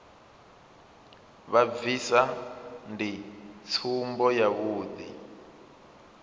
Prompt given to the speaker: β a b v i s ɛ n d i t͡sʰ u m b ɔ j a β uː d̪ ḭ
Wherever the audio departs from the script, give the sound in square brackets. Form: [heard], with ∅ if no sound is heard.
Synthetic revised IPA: β a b v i s [a] n d i t͡sʰ u m b ɔ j a β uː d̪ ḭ